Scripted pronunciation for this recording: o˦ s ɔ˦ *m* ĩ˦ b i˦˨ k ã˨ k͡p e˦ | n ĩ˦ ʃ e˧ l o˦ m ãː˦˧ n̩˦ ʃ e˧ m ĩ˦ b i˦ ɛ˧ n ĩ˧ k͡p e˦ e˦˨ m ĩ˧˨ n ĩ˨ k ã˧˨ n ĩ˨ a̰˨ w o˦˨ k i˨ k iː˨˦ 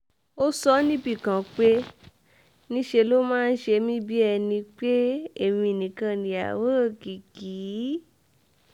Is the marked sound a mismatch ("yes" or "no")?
yes